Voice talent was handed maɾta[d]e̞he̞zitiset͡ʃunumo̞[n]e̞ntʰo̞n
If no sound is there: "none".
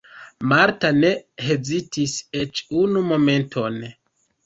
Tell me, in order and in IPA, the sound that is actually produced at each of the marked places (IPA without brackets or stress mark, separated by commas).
n, m